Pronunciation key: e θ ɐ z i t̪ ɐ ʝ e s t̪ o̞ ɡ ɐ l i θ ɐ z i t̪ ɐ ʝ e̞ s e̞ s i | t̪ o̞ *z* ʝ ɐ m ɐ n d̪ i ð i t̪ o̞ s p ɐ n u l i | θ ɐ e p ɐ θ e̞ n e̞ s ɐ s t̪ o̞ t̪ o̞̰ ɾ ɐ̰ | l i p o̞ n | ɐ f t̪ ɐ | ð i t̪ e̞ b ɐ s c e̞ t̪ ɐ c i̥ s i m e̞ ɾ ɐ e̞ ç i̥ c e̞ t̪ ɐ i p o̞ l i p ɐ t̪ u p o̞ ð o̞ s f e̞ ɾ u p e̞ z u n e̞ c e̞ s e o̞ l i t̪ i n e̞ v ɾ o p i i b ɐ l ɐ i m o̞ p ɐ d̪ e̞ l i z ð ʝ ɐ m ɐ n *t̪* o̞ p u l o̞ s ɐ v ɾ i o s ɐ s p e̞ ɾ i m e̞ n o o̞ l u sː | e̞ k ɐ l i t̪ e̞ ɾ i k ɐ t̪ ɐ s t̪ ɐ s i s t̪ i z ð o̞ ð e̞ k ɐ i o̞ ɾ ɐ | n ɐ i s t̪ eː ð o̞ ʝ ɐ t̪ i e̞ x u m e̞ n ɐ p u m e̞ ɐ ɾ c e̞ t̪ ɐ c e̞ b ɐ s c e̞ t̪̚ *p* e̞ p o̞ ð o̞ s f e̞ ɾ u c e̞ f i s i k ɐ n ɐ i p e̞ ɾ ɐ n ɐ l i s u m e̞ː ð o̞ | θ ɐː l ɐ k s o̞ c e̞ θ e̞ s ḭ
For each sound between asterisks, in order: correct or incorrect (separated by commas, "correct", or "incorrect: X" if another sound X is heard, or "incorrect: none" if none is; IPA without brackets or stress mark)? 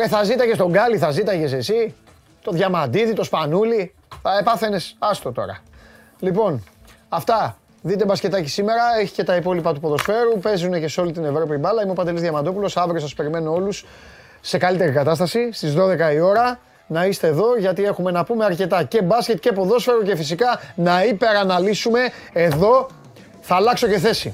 incorrect: ð, incorrect: d̪, incorrect: c